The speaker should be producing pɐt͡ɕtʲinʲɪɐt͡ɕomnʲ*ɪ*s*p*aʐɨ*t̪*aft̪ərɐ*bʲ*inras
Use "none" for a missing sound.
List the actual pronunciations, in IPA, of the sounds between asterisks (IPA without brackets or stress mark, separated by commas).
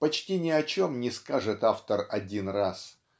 ɪ, k, t̪, dʲ